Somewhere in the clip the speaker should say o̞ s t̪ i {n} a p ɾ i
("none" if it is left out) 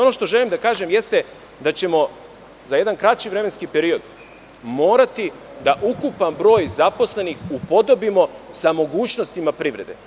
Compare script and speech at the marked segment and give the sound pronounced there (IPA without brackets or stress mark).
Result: m